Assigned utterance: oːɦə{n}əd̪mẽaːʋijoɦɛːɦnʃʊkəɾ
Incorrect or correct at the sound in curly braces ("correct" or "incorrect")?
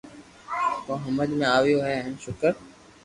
incorrect